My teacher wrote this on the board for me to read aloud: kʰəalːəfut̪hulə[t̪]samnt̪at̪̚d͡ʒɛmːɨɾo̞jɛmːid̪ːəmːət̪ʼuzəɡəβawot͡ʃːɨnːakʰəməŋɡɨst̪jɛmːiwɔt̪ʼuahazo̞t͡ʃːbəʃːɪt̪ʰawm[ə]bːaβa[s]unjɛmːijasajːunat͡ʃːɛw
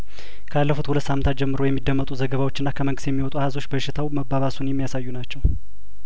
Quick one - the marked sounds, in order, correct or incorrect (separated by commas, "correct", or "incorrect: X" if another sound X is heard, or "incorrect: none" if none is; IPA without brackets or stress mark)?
correct, correct, correct